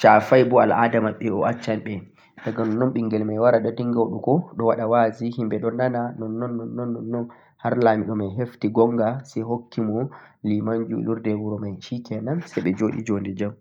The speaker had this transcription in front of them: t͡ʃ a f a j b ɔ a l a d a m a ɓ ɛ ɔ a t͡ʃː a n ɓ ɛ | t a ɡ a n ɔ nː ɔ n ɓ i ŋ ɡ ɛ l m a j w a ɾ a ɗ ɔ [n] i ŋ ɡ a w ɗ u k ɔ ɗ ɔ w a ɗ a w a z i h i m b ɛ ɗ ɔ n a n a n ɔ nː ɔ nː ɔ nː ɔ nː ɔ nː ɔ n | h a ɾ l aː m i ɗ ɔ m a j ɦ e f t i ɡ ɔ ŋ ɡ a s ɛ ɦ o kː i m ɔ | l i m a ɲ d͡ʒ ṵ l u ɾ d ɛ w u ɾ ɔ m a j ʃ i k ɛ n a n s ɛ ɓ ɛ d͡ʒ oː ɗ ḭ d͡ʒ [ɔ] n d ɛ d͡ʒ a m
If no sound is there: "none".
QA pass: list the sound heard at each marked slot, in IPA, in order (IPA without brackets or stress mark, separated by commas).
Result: d, o